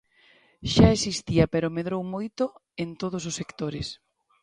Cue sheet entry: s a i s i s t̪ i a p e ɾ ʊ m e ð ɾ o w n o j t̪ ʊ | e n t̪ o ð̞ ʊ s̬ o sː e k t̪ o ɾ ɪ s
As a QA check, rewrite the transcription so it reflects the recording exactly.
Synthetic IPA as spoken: ʃ a e s i s t̪ i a p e ɾ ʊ m e ð ɾ o w m o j t̪ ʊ | e n t̪ o ð̞ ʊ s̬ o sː e k t̪ o ɾ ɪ s